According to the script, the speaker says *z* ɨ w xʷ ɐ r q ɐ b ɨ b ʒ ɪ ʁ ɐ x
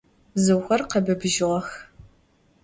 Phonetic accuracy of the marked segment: correct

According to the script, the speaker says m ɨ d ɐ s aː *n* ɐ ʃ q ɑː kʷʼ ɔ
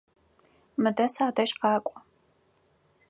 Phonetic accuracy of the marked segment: incorrect: d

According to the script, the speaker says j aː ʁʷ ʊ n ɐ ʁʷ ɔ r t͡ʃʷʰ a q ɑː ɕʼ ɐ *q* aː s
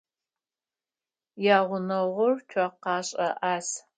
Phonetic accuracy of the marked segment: incorrect: ʔ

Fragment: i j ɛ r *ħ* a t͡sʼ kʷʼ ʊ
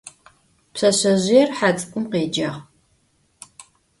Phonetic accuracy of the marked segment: correct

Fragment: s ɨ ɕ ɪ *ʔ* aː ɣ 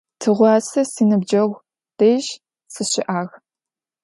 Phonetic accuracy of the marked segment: correct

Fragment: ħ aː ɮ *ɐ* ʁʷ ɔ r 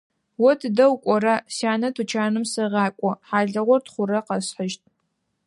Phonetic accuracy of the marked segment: correct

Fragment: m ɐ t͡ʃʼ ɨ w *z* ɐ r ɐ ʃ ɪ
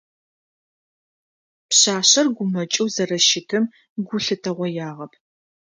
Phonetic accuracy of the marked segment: correct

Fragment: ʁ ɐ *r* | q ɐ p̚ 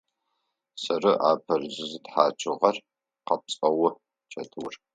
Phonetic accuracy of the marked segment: correct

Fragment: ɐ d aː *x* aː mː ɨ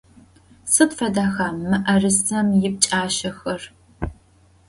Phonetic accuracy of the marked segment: correct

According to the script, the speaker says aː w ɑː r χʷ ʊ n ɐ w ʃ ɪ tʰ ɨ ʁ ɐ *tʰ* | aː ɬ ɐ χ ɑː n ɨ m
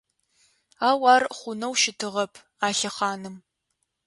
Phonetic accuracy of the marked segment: incorrect: pʰ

